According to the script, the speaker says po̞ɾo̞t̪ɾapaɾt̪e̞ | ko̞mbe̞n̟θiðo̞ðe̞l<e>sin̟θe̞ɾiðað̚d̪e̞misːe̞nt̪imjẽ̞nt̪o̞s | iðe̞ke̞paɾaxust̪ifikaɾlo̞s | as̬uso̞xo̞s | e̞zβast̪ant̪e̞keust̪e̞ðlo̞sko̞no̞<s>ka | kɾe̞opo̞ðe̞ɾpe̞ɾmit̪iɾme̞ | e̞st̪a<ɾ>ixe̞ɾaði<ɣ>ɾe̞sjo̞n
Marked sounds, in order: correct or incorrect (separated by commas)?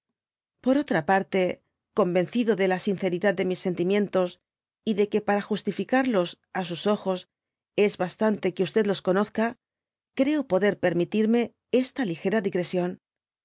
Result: incorrect, incorrect, incorrect, correct